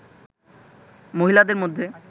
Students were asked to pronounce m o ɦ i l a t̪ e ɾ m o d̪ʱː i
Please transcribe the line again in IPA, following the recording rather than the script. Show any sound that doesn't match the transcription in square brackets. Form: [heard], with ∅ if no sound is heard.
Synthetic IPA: m o ɦ i l a [d̪] e ɾ m o d̪ʱː [e]